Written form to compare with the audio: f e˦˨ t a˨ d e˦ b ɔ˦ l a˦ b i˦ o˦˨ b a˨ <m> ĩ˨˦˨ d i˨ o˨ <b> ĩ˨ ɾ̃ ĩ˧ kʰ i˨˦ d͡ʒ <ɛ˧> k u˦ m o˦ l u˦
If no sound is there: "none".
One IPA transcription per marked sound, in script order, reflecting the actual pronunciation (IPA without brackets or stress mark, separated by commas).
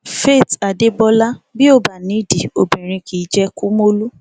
n, b, ɛ˧